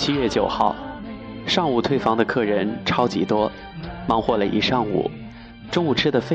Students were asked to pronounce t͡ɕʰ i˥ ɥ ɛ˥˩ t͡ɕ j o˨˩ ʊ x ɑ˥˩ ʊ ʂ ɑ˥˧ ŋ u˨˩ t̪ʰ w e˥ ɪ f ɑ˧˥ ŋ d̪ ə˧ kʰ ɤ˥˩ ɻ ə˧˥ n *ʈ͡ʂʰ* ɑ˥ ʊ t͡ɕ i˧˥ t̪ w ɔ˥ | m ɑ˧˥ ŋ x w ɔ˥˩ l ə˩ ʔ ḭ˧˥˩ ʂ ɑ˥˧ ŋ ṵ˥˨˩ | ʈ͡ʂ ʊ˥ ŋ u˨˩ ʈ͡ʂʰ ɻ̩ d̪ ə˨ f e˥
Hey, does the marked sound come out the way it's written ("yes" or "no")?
yes